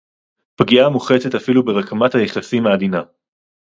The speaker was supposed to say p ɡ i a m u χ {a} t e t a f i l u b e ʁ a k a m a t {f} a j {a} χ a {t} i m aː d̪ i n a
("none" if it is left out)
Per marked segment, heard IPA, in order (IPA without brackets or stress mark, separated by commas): e, h, e, s